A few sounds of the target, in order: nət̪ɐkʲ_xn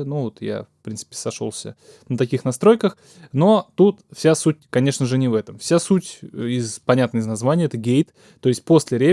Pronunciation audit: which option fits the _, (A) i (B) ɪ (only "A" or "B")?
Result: A